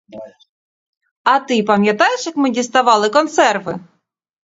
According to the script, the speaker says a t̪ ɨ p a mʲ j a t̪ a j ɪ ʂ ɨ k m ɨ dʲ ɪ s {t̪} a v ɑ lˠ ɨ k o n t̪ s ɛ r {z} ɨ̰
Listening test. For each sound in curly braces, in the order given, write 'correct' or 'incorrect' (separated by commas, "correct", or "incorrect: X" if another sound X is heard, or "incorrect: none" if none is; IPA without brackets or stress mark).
correct, incorrect: v